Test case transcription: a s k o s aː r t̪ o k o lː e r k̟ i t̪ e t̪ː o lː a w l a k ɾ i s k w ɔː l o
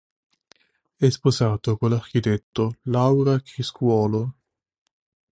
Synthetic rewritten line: ɛ s p o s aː t̪ o k o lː a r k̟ i t̪ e t̪ː o l a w ɾ a k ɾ i s k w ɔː l o